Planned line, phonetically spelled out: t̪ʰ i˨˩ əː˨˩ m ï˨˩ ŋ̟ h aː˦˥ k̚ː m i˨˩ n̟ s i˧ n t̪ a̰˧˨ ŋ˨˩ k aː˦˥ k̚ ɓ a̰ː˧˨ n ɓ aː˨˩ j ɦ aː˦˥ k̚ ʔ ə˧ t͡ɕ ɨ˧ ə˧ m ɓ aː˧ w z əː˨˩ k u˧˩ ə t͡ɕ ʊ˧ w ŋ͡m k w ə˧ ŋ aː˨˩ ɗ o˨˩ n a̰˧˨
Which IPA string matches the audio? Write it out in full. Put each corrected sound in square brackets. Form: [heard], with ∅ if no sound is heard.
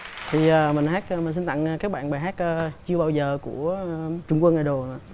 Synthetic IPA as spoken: t̪ʰ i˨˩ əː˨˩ m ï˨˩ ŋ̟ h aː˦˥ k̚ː m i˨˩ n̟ s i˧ n t̪ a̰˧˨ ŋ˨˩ k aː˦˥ k̚ ɓ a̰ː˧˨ n ɓ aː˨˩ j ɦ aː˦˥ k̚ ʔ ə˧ t͡ɕ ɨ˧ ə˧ [∅] ɓ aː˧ w z əː˨˩ k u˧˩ ə t͡ɕ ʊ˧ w ŋ͡m k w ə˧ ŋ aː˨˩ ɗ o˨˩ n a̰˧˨